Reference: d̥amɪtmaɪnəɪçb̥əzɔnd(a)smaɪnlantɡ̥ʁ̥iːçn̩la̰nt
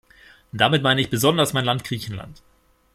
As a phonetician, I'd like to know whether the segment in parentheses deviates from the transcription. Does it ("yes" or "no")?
yes